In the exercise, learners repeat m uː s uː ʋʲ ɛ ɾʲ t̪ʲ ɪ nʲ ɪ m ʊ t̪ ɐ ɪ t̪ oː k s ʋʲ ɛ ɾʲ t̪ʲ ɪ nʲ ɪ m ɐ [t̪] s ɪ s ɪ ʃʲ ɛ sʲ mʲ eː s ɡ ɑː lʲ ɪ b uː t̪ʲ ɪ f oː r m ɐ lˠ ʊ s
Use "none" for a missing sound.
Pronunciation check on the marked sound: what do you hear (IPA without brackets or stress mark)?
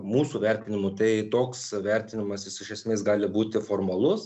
none